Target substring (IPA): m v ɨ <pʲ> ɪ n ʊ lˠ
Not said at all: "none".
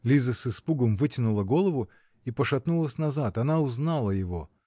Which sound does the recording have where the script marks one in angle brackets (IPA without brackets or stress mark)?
tʲ